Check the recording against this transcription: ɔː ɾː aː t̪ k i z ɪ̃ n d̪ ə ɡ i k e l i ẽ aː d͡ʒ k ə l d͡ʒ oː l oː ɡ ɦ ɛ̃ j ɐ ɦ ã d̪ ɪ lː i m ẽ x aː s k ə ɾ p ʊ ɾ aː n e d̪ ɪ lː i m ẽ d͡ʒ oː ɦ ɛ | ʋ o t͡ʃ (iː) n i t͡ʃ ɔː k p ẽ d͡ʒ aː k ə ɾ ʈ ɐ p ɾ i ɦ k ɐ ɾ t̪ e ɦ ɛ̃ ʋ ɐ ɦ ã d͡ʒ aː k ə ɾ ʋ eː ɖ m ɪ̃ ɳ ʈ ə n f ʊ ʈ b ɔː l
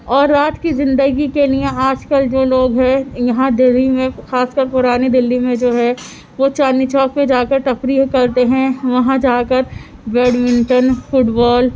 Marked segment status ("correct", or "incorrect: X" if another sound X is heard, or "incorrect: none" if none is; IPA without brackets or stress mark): incorrect: aː